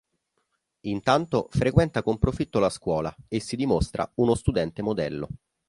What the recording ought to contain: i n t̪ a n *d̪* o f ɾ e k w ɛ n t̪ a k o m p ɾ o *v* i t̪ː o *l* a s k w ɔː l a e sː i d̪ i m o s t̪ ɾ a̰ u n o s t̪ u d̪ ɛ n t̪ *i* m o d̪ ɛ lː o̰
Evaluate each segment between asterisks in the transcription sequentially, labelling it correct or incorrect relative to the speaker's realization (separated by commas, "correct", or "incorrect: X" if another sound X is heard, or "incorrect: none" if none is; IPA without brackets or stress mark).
incorrect: t̪, incorrect: f, correct, incorrect: e